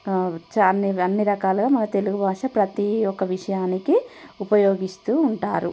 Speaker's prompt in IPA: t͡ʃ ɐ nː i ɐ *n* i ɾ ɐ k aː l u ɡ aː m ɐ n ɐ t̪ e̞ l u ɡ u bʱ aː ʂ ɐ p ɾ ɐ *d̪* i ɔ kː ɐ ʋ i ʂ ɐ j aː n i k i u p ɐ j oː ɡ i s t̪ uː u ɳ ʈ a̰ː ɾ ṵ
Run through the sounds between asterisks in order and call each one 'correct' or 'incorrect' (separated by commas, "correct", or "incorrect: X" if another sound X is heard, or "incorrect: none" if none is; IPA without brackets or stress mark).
incorrect: nː, incorrect: t̪